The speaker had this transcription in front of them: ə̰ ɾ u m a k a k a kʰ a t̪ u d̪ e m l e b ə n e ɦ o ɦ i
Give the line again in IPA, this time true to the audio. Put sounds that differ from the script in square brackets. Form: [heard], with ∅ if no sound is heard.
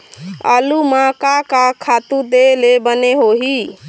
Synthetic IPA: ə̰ [l] u m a k a k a kʰ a t̪ u d̪ e [∅] l e b ə n e ɦ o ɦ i